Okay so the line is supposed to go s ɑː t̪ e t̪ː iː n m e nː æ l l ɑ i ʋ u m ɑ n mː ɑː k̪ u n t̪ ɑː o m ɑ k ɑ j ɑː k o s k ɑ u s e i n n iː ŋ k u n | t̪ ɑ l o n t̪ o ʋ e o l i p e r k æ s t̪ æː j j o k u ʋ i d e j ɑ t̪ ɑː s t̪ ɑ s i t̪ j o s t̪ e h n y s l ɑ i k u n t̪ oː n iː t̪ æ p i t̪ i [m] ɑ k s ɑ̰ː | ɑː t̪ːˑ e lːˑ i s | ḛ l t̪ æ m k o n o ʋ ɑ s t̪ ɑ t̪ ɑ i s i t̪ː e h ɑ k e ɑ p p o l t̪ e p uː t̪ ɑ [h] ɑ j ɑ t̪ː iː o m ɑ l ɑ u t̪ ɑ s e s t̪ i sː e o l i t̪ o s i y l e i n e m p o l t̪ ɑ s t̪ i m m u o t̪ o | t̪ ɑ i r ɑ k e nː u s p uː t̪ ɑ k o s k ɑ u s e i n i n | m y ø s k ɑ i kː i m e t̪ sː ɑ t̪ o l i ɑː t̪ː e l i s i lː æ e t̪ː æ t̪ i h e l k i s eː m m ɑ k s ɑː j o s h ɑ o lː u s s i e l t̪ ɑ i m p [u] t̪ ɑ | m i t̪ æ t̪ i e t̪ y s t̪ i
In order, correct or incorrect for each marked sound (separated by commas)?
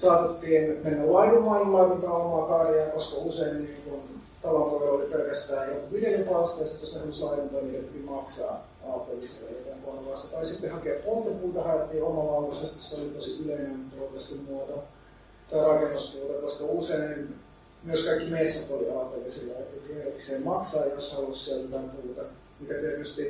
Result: correct, correct, incorrect